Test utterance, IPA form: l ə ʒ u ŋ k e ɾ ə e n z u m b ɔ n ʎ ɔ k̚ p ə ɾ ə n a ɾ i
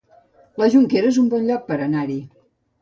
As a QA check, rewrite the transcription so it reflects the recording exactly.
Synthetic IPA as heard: l ə ʒ u ŋ k e ɾ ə e z u m b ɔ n ʎ ɔ k̚ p ə ɾ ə n a ɾ i